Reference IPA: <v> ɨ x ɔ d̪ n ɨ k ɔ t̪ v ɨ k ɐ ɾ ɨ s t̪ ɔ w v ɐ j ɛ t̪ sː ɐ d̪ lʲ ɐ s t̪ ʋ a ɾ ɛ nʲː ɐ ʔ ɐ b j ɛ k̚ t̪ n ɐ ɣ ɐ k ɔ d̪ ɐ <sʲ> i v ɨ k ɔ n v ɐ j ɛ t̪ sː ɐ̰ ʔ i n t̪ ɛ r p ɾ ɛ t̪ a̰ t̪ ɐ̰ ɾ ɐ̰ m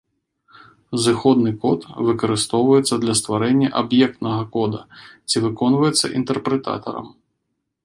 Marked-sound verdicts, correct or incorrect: incorrect, incorrect

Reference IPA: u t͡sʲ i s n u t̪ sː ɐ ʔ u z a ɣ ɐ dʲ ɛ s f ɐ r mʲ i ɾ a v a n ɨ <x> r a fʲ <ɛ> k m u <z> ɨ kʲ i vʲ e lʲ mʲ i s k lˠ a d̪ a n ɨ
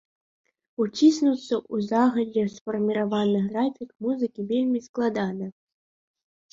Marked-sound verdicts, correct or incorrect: incorrect, incorrect, correct

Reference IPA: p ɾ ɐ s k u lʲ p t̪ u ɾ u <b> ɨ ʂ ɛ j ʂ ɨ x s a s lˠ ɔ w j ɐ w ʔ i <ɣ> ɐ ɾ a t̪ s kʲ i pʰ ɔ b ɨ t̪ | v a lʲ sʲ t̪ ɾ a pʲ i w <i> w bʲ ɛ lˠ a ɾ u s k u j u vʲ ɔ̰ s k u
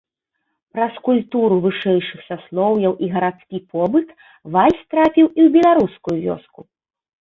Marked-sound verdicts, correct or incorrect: incorrect, correct, correct

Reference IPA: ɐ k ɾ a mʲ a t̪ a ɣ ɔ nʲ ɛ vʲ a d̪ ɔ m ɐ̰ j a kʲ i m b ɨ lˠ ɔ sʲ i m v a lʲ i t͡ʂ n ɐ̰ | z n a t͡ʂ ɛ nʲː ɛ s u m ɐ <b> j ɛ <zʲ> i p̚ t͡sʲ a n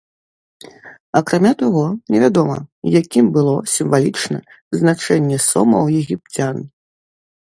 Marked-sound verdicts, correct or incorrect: incorrect, incorrect

